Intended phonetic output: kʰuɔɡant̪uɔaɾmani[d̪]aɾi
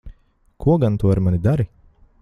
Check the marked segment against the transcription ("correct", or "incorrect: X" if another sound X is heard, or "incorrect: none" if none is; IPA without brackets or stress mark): correct